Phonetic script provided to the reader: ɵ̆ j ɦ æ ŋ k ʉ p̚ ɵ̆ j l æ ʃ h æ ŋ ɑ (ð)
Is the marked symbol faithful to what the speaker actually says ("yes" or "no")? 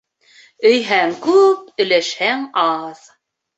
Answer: yes